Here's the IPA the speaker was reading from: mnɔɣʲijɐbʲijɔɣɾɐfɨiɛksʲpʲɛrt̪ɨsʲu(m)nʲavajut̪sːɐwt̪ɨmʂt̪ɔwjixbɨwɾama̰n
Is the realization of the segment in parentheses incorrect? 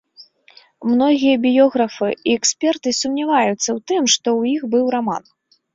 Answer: no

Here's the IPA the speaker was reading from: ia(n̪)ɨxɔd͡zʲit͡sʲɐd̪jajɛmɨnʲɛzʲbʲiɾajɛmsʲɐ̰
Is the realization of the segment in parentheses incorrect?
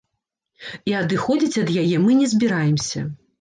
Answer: yes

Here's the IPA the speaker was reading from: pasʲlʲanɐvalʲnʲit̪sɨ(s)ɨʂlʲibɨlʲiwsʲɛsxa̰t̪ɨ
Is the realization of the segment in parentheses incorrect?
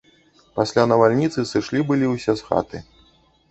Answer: no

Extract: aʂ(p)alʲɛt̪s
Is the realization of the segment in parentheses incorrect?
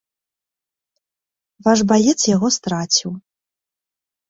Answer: yes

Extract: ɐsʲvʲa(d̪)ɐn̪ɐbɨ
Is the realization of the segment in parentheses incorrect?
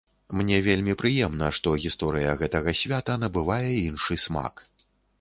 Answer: yes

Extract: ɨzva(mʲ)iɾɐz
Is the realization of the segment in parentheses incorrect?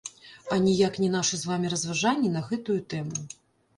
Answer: no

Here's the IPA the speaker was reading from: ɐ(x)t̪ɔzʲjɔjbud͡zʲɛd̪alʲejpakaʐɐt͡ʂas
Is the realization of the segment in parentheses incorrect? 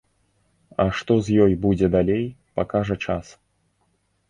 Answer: yes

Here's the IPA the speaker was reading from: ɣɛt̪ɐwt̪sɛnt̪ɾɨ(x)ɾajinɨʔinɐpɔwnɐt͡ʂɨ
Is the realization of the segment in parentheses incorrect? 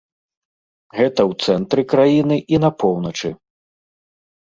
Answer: yes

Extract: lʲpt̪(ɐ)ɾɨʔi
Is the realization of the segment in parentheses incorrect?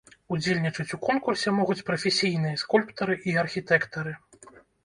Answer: no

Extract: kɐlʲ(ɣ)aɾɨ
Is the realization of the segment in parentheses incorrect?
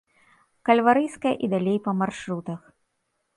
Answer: yes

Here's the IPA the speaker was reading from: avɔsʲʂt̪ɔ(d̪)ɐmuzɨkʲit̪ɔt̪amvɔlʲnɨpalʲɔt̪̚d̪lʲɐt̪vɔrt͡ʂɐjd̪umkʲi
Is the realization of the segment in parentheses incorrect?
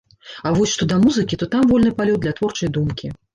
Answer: no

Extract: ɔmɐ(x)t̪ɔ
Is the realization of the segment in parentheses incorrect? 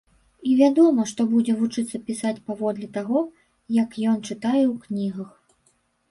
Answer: yes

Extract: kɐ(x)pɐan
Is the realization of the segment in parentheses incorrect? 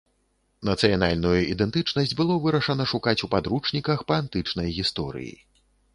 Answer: no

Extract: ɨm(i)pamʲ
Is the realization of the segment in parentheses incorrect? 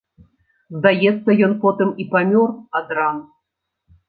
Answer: no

